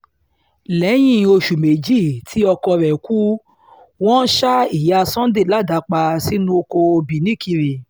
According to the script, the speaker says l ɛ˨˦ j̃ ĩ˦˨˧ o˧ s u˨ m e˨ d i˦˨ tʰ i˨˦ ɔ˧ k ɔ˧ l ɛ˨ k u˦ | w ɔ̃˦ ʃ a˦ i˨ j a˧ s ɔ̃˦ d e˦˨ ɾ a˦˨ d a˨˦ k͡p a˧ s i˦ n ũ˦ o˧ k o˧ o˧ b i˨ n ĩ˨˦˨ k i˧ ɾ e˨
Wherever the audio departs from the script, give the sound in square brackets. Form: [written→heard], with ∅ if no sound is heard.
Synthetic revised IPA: l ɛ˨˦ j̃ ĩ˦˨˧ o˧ [s→ʃ] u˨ m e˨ [d→d͡ʒ] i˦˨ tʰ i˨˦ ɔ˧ k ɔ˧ [l→ɾ] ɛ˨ k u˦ | w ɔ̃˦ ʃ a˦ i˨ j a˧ s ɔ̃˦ d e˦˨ [ɾ→l] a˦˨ d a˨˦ k͡p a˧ s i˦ n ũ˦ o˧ k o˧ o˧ b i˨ n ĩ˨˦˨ k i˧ ɾ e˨